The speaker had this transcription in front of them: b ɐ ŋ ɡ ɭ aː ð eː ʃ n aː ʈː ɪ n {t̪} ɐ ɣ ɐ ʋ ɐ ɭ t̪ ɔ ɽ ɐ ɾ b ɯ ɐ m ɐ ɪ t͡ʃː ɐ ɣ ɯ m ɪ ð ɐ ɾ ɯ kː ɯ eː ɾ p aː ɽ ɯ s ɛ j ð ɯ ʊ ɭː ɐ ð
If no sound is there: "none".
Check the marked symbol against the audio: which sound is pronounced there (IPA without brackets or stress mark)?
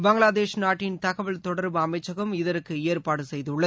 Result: t̪